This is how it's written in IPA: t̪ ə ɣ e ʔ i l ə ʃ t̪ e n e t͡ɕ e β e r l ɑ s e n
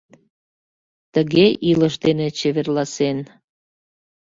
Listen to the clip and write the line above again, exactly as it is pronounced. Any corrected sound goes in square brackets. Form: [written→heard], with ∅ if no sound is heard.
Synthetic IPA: t̪ ə ɣ e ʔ i l ə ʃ [t̪→d̪] e n e t͡ɕ e β e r l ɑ s e n